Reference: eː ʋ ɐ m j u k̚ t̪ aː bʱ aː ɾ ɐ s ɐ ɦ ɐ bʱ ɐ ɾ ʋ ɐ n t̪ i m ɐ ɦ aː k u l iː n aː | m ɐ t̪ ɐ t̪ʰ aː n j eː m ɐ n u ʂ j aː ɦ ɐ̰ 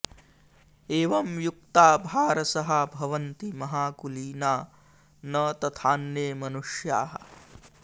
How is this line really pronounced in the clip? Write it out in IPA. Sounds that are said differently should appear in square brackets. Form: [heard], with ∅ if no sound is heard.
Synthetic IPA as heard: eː ʋ ɐ m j u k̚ t̪ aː bʱ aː ɾ ɐ s ɐ ɦ ɐ bʱ ɐ [∅] ʋ ɐ n t̪ i m ɐ ɦ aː k u l iː n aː | [n] ɐ t̪ ɐ t̪ʰ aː n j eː m ɐ n u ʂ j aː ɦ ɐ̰